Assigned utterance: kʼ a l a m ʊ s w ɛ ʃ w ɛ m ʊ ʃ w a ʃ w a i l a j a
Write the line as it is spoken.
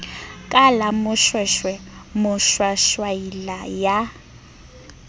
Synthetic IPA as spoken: kʼ a l a m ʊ ʃ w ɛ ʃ w ɛ m ʊ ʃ w a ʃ w a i l a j a

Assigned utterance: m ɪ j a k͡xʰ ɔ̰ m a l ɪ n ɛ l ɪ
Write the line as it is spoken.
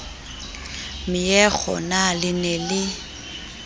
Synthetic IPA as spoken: m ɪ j ɛ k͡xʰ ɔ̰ n a l ɪ n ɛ l ɪ

